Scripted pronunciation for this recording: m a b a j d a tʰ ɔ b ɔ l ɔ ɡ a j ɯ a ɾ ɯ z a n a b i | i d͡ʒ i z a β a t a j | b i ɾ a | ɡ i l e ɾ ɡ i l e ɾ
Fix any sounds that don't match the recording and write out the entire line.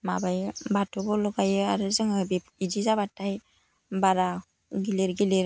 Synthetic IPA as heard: m a b a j b a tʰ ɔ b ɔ l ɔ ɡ a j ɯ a ɾ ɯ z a ŋ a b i | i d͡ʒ i z a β a t a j | b a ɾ a | ɡ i l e ɾ ɡ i l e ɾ